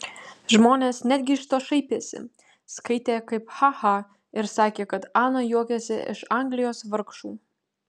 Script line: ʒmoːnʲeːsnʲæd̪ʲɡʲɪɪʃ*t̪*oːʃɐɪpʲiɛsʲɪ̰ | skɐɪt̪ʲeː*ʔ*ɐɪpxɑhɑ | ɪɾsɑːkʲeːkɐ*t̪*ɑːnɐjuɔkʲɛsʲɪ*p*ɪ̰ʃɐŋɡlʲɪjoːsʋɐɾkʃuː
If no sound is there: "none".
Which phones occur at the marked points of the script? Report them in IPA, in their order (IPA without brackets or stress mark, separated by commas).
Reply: t̪, k, t̪, none